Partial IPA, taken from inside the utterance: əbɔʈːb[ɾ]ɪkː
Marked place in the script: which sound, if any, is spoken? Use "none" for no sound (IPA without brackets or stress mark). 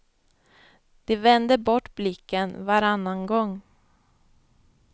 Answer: l